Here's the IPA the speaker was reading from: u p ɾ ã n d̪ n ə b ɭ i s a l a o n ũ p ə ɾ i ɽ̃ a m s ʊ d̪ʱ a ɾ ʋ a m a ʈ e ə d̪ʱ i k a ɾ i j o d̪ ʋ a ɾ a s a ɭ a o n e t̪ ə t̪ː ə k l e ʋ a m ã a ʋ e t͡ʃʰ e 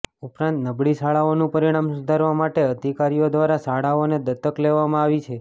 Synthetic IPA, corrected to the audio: u p ɾ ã n t̪ n ə b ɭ i s a ɭ a o n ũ p ə ɾ i ɽ̃ a m s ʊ d̪ʱ a ɾ ʋ a m a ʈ e ə d̪ʱ i k a ɾ i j o d̪ ʋ a ɾ a s a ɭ a o n e d̪ ə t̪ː ə k l e ʋ a m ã a ʋ i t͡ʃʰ e